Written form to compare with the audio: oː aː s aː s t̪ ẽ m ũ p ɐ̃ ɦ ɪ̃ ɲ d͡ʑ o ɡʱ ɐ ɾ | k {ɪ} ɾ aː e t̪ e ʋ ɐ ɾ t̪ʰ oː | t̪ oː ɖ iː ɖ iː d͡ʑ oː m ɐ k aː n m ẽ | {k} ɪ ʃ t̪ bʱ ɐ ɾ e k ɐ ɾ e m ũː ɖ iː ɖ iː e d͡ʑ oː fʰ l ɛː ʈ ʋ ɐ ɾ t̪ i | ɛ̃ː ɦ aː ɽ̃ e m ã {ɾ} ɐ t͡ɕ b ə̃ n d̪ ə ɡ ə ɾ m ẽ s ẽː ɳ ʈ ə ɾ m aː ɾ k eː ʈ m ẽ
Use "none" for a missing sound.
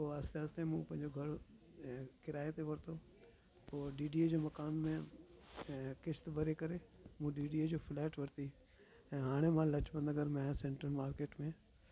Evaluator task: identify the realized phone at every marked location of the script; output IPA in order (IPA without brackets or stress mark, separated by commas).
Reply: ɪ, k, l